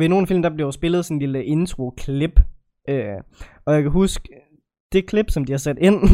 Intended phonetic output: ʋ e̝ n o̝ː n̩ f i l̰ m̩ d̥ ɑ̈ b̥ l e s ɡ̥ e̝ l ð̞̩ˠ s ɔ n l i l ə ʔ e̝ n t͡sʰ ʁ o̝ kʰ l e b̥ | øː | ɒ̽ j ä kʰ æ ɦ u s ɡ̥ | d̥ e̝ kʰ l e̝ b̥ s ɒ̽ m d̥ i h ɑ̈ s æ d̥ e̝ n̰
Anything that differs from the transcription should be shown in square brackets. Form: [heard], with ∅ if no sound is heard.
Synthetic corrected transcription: ʋ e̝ n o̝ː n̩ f i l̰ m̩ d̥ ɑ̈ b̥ l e s [b̥] e̝ l ð̞̩ˠ s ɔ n l i l ə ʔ e̝ n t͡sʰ ʁ o̝ kʰ l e b̥ | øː | ɒ̽ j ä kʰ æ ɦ u s ɡ̥ | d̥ e̝ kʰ l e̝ b̥ s ɒ̽ m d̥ i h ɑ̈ s æ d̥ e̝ n̰